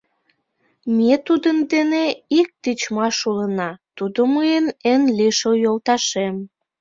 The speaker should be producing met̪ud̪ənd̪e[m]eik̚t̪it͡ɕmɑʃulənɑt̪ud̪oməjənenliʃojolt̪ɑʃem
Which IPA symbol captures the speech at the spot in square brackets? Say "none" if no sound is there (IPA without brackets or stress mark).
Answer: n